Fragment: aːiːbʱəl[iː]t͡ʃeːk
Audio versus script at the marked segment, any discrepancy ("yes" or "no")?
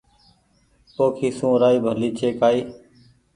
no